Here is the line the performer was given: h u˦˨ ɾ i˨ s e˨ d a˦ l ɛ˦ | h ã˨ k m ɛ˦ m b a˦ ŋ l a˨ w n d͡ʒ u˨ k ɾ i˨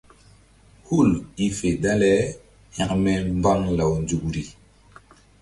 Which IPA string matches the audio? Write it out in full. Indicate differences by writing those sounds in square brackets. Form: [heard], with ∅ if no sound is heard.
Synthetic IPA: h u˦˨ [l] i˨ [f] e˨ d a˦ l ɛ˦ | h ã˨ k m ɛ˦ m b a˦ ŋ l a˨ w n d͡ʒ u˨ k ɾ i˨